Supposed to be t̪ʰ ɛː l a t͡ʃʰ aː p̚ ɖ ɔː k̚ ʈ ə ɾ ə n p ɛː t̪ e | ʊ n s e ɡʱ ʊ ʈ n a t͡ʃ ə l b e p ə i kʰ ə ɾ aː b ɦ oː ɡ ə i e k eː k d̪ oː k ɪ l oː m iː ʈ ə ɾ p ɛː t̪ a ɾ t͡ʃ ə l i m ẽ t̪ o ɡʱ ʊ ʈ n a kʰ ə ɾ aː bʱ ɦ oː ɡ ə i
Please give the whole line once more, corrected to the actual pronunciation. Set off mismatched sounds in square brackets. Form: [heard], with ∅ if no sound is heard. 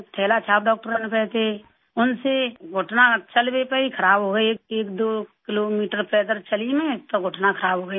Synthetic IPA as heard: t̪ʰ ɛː l a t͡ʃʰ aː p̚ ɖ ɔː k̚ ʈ ə ɾ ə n p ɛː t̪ e | ʊ n s e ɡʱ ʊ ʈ n a t͡ʃ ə l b e p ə i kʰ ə ɾ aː b ɦ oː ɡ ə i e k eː k d̪ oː k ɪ l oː m iː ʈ ə ɾ p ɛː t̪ [ə] ɾ t͡ʃ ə l i m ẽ t̪ o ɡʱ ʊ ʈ n a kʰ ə ɾ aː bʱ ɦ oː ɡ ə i